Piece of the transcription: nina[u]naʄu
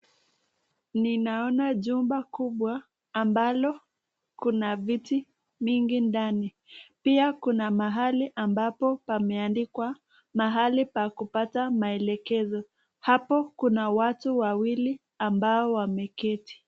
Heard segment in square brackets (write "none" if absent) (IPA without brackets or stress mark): ɔ